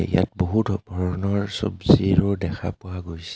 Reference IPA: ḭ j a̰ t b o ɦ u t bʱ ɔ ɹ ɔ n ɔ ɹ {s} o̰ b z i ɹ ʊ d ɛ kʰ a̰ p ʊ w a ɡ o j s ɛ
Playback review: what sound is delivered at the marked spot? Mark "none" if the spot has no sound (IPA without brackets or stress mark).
s